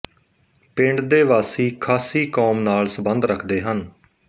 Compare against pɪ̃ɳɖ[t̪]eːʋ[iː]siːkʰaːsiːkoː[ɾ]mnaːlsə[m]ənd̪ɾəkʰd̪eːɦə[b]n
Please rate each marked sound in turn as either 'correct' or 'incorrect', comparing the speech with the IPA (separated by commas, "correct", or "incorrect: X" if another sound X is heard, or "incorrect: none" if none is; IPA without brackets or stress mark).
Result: incorrect: d̪, incorrect: aː, incorrect: none, incorrect: b, incorrect: none